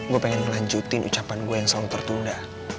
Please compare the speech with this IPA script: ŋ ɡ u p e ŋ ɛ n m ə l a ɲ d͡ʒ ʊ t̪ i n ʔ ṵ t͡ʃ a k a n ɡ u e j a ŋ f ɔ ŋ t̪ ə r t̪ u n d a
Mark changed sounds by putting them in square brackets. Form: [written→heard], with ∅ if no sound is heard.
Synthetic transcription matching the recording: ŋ ɡ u p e ŋ ɛ n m ə l a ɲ d͡ʒ [ʊ→u] t̪ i n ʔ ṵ t͡ʃ a [k→p] a n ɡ u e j a ŋ [f→s] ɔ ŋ t̪ ə r t̪ u n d a